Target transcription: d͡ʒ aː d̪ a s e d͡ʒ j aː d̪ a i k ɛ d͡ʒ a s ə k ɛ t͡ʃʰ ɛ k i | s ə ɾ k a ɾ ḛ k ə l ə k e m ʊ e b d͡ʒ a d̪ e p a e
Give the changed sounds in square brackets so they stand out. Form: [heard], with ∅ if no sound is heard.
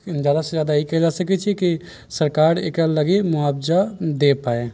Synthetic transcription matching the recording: d͡ʒ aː d̪ a s e d͡ʒ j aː d̪ a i k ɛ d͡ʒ a s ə k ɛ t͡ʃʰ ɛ k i | s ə ɾ k a ɾ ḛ k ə l ə [ɡ] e m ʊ [a] b d͡ʒ a d̪ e p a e